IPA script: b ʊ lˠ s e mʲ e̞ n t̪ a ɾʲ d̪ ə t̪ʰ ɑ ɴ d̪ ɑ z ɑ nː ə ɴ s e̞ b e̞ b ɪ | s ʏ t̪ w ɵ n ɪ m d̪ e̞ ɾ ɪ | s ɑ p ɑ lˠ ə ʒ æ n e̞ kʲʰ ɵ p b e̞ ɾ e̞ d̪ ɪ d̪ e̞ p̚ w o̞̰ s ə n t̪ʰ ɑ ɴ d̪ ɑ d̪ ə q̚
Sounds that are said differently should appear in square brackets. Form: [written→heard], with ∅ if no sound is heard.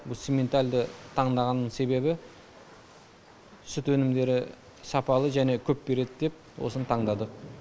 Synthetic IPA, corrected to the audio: b ʊ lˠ s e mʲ e̞ n t̪ a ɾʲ d̪ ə t̪ʰ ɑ ɴ d̪ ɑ [z→ʁ] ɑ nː ə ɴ s e̞ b e̞ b ɪ | s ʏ t̪ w ɵ n ɪ m d̪ e̞ ɾ ɪ | s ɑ p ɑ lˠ ə ʒ æ n e̞ kʲʰ ɵ p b e̞ ɾ e̞ d̪ ɪ d̪ e̞ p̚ w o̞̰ s ə n t̪ʰ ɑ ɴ d̪ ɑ d̪ ə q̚